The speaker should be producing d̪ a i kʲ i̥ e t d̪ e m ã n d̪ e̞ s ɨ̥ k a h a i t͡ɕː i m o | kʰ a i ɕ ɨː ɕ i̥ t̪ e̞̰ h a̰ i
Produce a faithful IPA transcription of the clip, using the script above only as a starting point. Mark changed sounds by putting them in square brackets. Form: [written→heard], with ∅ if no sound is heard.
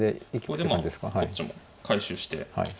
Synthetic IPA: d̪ [a→e] i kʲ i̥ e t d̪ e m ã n d̪ e̞ s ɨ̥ k a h a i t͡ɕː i m o | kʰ a i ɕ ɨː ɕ i̥ t̪ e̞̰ h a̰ i

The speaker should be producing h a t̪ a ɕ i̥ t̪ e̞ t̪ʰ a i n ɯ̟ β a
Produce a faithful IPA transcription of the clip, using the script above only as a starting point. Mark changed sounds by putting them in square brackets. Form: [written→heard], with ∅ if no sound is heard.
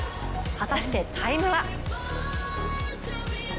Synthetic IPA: h a t̪ a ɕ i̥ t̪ e̞ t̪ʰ a i [n→m] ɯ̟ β a

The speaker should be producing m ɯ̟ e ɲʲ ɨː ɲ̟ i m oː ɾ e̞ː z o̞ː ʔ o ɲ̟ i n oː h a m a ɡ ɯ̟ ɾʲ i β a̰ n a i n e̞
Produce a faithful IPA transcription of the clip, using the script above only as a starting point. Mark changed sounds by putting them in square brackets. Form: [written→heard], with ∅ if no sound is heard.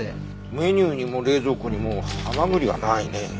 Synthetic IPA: m ɯ̟ e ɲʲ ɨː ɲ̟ i m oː ɾ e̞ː z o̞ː [ʔ→k] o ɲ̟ i [n→m] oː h a m a ɡ ɯ̟ ɾʲ i β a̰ n a i n e̞

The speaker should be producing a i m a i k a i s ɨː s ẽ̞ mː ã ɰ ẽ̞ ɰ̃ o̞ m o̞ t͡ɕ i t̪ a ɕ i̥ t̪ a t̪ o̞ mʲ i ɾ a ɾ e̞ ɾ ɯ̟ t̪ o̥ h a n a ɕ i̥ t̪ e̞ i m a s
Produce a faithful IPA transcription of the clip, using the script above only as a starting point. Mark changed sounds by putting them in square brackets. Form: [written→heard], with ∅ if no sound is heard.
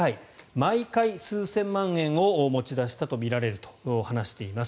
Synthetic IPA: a i m a i k a i s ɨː s ẽ̞ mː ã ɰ ẽ̞ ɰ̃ o̞ m o̞ t͡ɕ i [t̪→d̪] a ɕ i̥ t̪ a t̪ o̞ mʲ i ɾ a ɾ e̞ ɾ ɯ̟ t̪ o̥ h a n a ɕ i̥ t̪ e̞ i m a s

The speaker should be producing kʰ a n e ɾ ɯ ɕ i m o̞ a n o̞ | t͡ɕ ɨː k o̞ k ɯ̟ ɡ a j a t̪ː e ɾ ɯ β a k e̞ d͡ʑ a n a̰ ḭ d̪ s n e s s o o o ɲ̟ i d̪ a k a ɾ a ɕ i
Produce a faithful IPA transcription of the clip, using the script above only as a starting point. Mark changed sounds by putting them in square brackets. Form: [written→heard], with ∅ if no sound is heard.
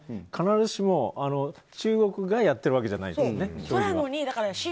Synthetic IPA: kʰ a n [e→a] ɾ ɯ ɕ i m o̞ a n o̞ | t͡ɕ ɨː [k→ɡ] o̞ k ɯ̟ ɡ a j a t̪ː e ɾ ɯ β a k e̞ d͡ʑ a n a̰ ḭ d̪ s n e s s o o o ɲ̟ i d̪ a k a ɾ a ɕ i

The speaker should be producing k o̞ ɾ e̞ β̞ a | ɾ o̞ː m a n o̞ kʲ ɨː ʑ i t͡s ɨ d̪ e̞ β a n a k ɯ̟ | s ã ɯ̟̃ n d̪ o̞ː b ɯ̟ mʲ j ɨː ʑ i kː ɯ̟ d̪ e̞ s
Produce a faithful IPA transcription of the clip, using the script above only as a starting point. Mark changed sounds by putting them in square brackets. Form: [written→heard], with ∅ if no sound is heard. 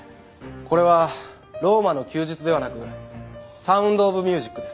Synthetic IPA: k o̞ ɾ e̞ β̞ a | ɾ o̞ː m a n o̞ kʲ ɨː ʑ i t͡s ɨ d̪ e̞ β a n a k ɯ̟ | s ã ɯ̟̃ n d̪ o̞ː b ɯ̟ mʲ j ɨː ʑ i kː ɯ̟ d̪ e̞ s

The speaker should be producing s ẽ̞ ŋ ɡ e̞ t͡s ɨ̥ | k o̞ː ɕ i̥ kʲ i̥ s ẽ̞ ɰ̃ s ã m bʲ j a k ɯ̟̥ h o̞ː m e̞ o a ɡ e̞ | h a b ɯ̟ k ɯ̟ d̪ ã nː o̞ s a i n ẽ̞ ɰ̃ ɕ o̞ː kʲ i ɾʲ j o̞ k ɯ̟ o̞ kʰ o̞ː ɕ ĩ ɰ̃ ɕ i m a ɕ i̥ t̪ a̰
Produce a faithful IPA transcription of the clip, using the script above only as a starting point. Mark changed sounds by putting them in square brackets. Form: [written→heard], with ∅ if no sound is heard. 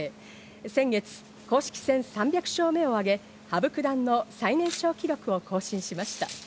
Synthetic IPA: s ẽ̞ ŋ ɡ e̞ t͡s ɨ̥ | k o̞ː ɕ i̥ kʲ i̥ s ẽ̞ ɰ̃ s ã m bʲ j a k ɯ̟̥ [h→ɕ] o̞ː m e̞ o a ɡ e̞ | h a b ɯ̟ k ɯ̟ d̪ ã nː o̞ s a i n ẽ̞ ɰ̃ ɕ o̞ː kʲ i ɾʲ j o̞ k ɯ̟ o̞ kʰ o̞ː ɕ ĩ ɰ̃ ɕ i m a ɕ i̥ t̪ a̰

